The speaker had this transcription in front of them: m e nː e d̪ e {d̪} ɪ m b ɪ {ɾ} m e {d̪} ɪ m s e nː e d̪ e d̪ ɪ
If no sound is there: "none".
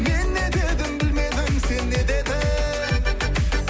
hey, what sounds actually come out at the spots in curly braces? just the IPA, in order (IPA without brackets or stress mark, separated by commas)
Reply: d̪, l, d̪